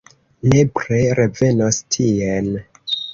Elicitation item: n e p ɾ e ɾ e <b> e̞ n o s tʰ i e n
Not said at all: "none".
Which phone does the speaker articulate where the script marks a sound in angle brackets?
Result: v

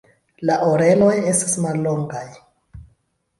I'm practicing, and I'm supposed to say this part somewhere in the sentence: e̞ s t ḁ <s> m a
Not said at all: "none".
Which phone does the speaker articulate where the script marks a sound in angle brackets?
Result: s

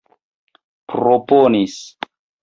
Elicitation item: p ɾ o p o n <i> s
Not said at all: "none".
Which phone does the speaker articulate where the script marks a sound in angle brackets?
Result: i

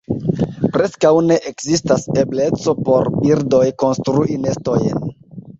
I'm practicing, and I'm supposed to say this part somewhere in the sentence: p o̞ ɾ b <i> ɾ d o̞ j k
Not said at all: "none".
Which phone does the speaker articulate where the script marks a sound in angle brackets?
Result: i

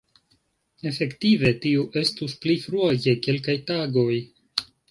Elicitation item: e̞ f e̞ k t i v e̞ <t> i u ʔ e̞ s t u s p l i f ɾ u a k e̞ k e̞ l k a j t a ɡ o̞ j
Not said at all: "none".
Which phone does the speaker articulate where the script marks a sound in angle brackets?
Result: t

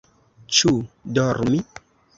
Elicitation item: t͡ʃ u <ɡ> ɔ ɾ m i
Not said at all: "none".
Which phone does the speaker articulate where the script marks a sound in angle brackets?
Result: d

